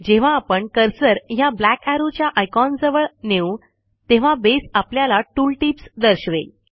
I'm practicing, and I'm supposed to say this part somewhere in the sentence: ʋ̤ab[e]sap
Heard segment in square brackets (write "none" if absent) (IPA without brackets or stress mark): e